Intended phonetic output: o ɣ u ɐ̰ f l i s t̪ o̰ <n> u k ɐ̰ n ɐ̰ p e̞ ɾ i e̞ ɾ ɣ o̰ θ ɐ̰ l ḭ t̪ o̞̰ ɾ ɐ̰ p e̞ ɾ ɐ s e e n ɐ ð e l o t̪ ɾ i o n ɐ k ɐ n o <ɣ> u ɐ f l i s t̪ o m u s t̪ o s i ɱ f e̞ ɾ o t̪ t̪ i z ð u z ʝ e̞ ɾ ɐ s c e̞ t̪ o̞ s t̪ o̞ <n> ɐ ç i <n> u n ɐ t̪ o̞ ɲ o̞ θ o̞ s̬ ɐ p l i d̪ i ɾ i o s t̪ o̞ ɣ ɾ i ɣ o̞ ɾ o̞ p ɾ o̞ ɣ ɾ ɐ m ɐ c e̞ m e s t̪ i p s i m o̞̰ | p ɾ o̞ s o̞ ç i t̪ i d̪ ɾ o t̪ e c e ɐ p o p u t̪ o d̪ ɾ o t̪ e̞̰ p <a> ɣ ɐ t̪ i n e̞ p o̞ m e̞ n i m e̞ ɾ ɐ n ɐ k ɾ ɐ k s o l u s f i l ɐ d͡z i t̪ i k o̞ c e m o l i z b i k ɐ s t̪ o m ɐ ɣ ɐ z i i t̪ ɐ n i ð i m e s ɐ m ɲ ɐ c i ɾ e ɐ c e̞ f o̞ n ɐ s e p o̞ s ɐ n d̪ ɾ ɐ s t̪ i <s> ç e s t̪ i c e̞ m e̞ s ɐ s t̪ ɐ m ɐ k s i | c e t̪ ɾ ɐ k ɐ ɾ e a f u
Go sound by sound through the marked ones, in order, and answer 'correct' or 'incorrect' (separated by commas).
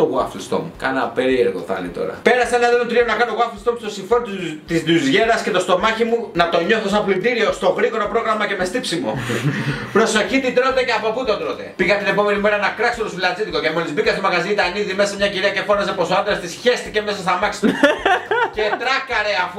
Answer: incorrect, correct, incorrect, incorrect, incorrect, correct